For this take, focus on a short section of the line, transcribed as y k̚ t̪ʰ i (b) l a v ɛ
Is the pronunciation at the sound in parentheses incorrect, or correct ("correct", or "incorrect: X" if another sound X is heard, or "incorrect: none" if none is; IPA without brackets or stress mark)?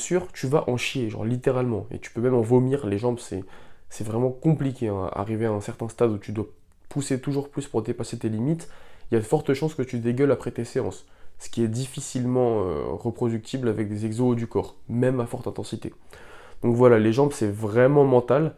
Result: correct